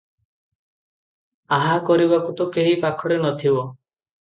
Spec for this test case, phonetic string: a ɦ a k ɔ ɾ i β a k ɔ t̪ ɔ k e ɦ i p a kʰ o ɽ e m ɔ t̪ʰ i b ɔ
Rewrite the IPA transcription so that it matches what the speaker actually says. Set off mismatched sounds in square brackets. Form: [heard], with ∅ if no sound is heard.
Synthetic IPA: a ɦ a k ɔ ɾ i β a k [u] t̪ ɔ k e ɦ i p a kʰ [ɔ] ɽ e [n] ɔ t̪ʰ i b ɔ